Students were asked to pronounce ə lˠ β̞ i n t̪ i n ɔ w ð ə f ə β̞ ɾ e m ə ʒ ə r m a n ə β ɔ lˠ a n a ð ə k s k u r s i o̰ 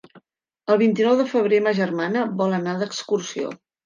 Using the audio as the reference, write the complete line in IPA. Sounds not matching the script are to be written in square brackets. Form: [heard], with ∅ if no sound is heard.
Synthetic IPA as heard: ə lˠ β̞ i n t̪ i n ɔ w ð ə f ə β̞ ɾ e m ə ʒ ə r m a n ə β ɔ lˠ [ə] n a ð ə k s k u r s i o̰